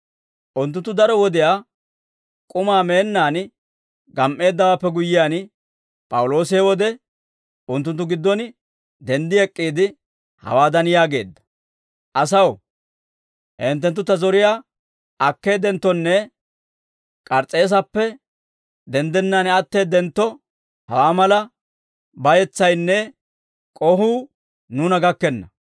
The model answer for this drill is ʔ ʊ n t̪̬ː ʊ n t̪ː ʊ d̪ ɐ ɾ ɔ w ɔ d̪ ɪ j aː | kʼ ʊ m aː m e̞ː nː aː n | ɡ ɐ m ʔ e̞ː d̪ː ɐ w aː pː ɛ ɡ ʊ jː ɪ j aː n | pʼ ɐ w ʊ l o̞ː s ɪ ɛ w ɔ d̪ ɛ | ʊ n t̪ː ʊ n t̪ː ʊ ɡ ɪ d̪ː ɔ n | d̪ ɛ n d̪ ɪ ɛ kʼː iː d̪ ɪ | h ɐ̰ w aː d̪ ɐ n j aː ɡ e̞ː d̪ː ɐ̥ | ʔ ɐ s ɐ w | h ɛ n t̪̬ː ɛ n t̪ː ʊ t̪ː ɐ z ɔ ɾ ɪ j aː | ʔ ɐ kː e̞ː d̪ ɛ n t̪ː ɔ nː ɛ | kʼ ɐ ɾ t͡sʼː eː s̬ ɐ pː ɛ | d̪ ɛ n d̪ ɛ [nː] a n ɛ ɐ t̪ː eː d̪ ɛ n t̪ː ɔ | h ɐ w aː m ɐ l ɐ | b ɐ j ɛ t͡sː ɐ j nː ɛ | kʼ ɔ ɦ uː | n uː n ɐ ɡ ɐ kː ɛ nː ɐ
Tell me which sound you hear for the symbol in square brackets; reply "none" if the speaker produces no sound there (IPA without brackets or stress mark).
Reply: nː